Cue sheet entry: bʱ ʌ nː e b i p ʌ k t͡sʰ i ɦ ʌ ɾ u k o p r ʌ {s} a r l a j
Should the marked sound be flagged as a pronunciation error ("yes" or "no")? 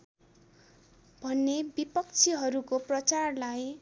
yes